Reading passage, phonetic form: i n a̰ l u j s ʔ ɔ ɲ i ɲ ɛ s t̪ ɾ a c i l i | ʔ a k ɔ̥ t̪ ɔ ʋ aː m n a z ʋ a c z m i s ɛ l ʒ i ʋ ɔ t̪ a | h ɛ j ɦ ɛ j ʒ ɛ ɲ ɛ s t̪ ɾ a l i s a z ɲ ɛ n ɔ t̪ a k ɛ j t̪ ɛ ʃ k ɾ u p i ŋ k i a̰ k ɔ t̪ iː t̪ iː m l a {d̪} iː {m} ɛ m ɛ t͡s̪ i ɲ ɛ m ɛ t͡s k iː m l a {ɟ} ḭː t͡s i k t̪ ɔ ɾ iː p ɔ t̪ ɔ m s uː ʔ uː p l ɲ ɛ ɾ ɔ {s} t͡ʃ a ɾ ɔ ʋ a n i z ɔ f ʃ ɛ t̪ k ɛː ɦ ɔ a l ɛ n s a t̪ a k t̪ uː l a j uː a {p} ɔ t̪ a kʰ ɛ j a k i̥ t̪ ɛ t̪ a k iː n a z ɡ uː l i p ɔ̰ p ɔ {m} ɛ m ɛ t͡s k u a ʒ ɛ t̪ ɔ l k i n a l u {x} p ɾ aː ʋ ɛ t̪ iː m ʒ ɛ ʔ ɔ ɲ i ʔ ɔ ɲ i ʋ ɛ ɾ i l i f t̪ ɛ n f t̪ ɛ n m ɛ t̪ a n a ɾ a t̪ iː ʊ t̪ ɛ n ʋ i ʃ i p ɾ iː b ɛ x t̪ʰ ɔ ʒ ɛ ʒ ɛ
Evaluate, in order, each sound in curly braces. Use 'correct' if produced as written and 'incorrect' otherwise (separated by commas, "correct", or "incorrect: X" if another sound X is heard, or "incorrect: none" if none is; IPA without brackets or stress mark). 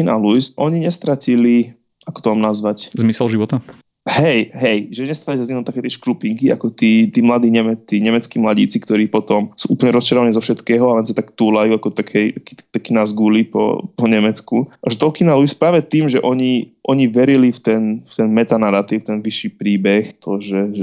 correct, incorrect: ɲ, correct, correct, incorrect: k, incorrect: ɲ, incorrect: s